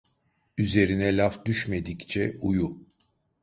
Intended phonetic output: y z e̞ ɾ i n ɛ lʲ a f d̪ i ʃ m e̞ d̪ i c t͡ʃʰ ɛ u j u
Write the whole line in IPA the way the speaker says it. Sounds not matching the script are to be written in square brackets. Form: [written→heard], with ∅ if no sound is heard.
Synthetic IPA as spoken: y z e̞ ɾ i n ɛ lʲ a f d̪ [i→y] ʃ m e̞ d̪ i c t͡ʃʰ ɛ u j u